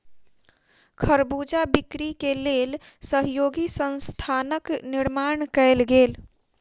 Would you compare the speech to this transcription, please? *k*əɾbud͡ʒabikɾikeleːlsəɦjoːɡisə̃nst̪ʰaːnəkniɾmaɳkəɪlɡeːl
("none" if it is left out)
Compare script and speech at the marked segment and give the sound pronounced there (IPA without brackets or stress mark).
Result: kʰ